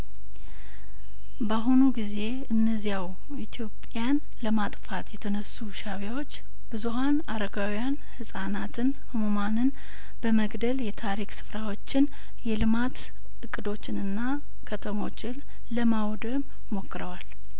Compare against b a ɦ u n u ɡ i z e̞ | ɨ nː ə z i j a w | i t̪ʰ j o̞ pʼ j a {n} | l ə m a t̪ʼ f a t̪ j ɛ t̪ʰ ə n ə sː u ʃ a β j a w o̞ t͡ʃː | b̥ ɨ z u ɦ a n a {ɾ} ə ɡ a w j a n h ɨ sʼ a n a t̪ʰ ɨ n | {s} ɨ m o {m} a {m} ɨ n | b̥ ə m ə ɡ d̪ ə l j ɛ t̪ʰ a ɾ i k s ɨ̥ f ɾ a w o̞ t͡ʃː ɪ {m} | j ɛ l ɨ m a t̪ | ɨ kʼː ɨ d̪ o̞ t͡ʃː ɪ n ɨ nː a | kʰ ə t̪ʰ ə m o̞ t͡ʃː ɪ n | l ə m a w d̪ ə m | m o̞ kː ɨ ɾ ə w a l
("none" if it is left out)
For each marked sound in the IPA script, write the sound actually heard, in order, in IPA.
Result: n, ɾ, h, m, n, n

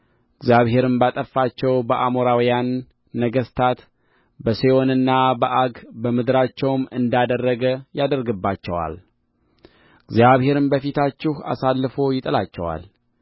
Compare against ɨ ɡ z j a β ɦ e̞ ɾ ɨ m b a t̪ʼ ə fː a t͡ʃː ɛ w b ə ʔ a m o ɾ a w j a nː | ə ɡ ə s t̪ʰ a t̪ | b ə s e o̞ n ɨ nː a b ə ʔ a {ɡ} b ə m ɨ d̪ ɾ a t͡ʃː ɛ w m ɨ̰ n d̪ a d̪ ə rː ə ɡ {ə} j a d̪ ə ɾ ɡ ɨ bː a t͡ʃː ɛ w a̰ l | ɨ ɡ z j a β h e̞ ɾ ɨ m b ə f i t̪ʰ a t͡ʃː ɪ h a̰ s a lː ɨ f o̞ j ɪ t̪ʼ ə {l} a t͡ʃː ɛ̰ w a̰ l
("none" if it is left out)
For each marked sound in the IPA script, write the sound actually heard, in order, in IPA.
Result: ɡ, ə, l

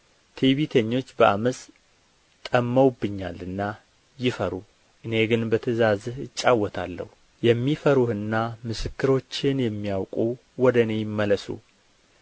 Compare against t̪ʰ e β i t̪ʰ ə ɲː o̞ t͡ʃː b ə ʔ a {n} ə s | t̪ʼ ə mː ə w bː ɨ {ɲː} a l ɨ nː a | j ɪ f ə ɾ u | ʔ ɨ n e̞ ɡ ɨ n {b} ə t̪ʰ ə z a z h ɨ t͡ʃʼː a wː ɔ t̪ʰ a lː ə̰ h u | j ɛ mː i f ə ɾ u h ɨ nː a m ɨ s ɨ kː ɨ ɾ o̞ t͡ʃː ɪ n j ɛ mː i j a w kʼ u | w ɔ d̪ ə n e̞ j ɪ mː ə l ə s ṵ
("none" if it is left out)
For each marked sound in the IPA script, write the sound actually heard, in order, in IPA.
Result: m, ɲː, b

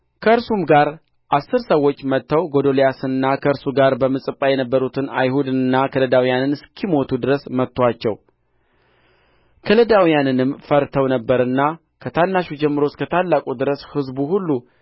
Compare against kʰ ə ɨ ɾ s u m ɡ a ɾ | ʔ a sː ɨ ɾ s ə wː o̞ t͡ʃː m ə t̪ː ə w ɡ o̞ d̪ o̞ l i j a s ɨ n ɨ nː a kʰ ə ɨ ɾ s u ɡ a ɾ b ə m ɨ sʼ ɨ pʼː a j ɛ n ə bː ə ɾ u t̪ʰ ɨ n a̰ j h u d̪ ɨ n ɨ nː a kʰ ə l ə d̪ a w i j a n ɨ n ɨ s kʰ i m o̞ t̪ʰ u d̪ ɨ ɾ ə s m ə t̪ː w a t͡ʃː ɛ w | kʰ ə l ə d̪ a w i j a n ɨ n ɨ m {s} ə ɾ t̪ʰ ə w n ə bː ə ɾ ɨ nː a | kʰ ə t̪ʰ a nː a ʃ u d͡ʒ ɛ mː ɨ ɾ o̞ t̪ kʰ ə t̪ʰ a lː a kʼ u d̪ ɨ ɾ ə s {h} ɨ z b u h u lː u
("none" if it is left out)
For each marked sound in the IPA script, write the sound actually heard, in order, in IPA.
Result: f, h

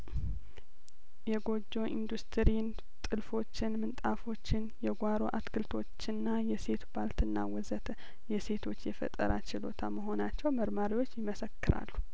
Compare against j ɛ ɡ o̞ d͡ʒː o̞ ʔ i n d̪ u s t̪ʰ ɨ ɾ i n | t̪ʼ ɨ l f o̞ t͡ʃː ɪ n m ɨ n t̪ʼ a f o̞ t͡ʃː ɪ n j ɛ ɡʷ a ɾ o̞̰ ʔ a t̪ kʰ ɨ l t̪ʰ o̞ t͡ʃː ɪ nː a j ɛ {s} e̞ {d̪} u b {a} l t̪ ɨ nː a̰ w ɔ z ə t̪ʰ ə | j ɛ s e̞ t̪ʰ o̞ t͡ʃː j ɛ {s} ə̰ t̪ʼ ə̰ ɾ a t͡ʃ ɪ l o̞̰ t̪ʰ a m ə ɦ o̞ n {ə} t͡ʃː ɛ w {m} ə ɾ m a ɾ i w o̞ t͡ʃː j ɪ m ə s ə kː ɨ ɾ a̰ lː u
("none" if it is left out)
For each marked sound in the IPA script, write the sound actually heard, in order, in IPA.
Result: s, t̪, a, f, a, m

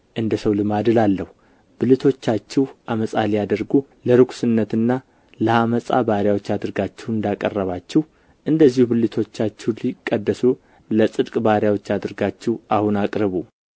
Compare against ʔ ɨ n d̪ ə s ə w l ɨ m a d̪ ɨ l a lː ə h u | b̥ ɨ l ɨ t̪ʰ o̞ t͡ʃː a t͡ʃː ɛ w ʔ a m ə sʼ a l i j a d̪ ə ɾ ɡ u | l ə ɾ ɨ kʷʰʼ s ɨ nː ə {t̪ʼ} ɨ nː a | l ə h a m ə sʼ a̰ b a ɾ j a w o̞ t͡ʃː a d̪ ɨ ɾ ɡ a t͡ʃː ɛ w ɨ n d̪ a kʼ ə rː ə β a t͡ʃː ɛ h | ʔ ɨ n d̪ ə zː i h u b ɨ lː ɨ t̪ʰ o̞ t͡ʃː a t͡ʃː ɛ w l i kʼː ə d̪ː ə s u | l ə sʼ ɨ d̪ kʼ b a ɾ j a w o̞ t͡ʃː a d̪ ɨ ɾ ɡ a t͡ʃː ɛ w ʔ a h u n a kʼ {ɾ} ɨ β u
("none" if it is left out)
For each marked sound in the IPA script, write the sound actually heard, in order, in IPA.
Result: t̪, ɾ

